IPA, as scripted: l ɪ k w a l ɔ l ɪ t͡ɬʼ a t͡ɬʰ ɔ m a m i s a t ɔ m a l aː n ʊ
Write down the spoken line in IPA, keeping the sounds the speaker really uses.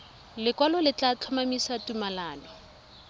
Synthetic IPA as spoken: l ɪ k w a l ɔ l ɪ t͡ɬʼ a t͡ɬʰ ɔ m a m i s a t u m a l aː n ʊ